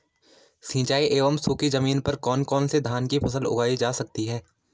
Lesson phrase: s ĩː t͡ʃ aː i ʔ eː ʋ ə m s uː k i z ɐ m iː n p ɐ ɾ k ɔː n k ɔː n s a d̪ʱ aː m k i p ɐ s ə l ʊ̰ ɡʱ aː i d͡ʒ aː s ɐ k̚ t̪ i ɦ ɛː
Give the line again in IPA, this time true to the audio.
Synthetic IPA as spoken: s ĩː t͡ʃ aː i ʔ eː ʋ ə m s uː k i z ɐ m iː n p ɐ ɾ k ɔː n k ɔː n s e d̪ʱ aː n k i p ɐ s ə l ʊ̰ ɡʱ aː i d͡ʒ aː s ɐ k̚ t̪ i ɦ ɛː